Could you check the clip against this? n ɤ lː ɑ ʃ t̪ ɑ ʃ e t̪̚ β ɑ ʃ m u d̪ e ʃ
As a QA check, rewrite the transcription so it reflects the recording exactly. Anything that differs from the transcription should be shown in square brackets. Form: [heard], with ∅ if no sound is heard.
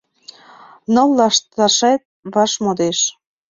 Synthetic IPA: n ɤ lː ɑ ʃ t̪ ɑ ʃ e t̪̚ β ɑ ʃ m [o] d̪ e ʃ